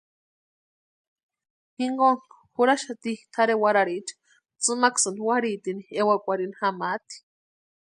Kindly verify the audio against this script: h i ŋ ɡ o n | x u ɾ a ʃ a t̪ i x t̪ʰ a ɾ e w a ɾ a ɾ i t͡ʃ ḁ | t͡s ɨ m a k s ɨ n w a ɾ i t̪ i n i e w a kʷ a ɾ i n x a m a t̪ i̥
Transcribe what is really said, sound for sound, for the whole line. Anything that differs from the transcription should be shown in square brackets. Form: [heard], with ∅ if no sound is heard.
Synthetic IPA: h i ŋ ɡ o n | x u ɾ a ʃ a t̪ i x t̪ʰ a ɾ e w a ɾ a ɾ i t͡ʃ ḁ | t͡s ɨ m a k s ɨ n w a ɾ i t̪ i n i e w a kʷ a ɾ i n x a m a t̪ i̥